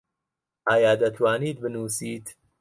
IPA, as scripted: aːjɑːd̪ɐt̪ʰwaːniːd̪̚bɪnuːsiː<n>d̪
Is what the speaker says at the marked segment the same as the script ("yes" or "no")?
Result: no